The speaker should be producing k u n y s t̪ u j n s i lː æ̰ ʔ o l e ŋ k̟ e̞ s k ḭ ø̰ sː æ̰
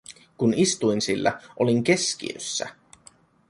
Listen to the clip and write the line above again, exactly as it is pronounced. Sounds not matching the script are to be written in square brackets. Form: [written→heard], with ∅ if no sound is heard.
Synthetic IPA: k u n [y→i] s t̪ u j n s i lː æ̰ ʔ o l [e→i] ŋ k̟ e̞ s k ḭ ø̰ sː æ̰